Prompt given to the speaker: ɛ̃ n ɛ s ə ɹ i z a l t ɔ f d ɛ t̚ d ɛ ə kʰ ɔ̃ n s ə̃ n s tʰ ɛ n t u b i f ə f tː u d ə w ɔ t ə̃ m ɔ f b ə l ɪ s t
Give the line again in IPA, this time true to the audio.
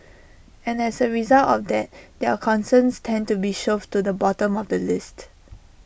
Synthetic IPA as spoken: ɛ̃ n ɛ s ə ɹ i z a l t ɔ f d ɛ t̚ d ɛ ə kʰ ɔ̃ n s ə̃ n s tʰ ɛ̃ n t u b i ʃ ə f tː u d ə b ɔ t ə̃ m ɔ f d ə l ɪ s t